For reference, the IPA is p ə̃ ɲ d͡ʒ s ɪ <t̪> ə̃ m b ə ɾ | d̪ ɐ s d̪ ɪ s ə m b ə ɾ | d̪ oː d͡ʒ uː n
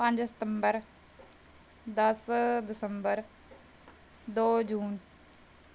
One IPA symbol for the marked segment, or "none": t̪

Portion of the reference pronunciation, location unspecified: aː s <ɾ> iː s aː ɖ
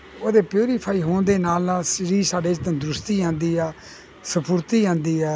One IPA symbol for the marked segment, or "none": ɾ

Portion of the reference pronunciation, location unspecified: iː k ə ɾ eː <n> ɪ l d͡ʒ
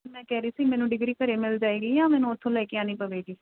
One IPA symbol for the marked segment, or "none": m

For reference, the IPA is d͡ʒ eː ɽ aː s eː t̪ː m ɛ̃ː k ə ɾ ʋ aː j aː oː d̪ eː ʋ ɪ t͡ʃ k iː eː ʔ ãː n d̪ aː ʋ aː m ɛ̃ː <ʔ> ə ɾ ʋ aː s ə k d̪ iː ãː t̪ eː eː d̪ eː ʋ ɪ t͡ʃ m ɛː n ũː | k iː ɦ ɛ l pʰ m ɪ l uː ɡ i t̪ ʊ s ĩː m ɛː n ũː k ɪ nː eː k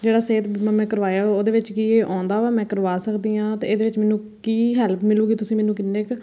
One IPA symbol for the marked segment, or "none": k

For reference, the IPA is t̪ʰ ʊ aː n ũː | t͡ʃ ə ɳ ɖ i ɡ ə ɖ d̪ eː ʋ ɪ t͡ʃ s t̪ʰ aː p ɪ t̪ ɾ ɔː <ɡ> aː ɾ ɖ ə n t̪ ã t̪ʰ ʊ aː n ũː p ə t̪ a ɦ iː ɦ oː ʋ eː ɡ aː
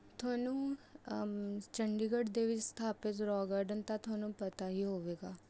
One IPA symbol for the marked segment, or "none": ɡ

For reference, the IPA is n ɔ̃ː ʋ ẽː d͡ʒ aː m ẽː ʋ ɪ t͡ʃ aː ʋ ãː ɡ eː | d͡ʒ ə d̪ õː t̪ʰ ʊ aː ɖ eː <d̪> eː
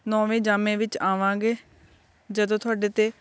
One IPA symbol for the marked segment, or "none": t̪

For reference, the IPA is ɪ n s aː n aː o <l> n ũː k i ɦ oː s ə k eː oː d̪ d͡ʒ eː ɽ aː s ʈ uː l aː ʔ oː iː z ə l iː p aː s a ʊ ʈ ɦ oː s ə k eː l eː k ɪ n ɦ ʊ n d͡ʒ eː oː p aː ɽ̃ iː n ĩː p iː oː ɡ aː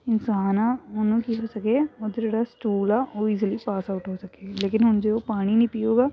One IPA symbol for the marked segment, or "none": none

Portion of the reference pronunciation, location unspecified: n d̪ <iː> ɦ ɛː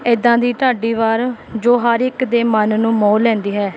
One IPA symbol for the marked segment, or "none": iː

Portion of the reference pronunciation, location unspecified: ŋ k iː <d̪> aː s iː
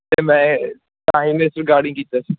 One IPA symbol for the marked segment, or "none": t̪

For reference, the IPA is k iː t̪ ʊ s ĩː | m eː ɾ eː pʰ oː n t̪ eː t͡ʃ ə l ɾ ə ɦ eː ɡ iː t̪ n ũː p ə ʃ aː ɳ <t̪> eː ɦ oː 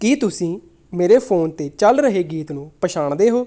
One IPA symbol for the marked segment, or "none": d̪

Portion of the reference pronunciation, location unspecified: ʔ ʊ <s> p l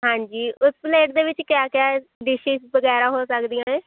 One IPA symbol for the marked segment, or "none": s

